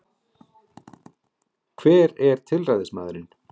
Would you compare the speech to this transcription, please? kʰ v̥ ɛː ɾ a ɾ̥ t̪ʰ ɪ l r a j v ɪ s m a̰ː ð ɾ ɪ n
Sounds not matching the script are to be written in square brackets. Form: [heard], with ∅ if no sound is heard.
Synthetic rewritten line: kʰ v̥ ɛː ɾ [ɛ] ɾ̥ t̪ʰ ɪ l r a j [ð] ɪ s m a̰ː ð ɾ ɪ n